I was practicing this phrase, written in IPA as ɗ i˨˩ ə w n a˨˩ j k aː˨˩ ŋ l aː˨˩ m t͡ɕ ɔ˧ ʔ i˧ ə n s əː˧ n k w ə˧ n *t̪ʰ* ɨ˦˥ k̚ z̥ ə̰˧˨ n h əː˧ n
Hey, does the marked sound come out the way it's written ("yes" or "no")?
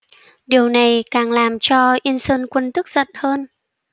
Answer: no